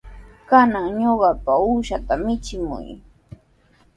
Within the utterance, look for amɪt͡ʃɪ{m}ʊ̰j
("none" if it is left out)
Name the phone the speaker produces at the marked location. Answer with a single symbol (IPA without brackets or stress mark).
m